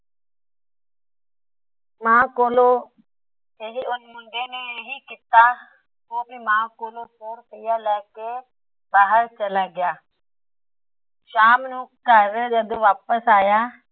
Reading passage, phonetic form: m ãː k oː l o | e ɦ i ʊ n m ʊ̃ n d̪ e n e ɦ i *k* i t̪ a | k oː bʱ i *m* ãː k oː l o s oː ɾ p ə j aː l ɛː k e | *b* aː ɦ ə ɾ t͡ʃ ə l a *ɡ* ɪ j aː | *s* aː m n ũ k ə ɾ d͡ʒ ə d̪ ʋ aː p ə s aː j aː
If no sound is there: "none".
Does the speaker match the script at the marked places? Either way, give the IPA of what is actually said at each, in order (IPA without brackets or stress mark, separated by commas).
k, m, b, ɡ, ʃ